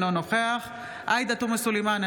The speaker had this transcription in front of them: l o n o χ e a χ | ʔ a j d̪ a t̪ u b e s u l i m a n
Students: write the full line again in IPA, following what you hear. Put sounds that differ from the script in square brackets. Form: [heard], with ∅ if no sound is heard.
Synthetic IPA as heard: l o n o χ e a χ | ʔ a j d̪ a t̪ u [m] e s u l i m a n